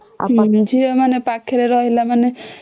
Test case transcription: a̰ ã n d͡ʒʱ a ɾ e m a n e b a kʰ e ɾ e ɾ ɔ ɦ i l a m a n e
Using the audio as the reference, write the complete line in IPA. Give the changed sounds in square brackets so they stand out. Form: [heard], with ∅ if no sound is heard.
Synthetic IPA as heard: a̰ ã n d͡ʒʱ [i] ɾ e m a n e [p] a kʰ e ɾ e ɾ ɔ ɦ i l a m a n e